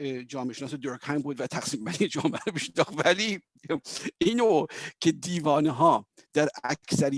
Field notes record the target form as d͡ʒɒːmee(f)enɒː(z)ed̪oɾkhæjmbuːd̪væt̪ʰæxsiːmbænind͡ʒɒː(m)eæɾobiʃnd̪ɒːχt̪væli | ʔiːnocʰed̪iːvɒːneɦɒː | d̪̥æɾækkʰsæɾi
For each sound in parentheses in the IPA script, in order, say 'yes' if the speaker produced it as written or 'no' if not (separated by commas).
no, no, yes